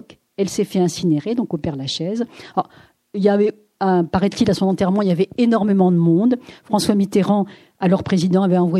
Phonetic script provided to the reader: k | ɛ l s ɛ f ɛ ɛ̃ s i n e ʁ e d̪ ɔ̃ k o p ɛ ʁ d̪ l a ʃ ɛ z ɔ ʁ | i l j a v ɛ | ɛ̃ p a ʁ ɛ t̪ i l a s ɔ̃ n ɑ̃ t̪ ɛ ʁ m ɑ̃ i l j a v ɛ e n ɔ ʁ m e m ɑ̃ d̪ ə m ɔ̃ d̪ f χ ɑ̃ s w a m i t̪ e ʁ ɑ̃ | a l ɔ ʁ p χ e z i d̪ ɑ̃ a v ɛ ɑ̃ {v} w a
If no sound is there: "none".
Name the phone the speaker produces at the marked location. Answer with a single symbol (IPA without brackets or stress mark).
v